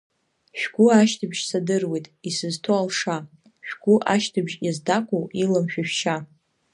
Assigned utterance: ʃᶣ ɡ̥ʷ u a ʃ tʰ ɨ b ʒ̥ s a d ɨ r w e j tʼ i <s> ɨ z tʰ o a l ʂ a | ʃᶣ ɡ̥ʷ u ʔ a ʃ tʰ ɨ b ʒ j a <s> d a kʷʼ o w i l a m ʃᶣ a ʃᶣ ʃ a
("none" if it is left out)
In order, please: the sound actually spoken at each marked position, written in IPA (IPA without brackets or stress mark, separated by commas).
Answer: s, z